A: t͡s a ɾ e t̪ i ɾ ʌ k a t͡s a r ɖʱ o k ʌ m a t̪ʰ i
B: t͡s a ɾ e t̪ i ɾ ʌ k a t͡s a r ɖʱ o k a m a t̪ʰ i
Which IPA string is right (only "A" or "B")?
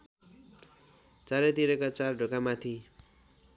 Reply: B